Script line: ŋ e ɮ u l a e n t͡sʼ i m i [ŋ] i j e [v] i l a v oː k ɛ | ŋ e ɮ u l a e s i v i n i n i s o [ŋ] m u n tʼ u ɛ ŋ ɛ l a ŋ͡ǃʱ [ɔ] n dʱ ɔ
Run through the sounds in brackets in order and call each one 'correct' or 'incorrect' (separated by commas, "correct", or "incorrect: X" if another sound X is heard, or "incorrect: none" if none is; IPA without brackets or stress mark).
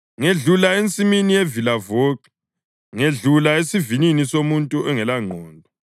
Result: incorrect: n, correct, incorrect: none, incorrect: ɔː